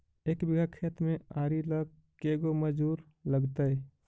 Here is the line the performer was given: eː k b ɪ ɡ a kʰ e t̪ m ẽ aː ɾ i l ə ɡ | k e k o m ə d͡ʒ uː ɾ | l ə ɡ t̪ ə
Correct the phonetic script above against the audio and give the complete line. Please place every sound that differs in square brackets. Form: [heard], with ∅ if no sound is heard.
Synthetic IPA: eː k b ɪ ɡ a kʰ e t̪ m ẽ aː ɾ i l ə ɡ | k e [ɡ] o m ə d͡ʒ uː ɾ | l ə ɡ t̪ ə